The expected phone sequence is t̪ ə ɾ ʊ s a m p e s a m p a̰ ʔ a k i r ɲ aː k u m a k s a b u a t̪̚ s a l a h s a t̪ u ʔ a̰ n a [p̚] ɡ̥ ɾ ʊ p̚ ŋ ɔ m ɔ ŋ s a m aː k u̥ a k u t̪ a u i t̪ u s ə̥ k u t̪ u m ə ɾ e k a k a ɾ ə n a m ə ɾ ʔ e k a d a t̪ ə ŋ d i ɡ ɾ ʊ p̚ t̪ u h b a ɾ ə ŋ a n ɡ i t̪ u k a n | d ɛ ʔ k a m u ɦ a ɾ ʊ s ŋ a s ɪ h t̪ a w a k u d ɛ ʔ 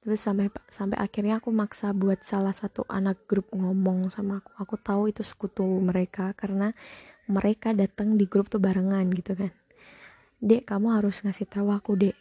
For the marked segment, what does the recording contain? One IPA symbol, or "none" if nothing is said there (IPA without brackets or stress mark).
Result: k̚